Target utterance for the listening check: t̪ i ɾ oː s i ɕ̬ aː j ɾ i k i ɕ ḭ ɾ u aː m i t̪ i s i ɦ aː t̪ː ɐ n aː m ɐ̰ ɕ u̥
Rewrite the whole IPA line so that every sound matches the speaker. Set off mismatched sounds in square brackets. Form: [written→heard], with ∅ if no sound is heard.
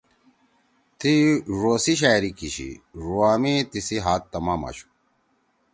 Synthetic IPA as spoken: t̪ i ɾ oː s i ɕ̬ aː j ɾ i k i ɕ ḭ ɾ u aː m i t̪ i s i ɦ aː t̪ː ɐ [n→m] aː m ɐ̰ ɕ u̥